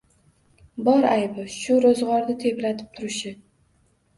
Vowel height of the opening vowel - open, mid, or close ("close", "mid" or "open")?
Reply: open